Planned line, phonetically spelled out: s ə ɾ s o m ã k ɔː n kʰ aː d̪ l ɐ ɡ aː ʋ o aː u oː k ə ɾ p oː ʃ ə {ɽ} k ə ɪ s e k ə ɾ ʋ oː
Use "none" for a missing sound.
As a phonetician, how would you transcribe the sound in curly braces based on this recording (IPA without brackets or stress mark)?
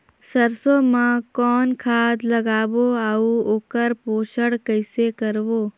ɽ